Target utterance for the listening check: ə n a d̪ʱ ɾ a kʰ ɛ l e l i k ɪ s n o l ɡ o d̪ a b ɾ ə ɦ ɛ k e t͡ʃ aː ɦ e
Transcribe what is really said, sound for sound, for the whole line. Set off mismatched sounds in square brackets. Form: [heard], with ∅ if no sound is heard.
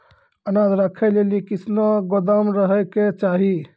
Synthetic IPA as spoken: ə n a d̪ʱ ɾ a kʰ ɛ l e l i k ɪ s n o [∅] ɡ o d̪ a [m] ɾ ə ɦ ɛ k e t͡ʃ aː ɦ [i]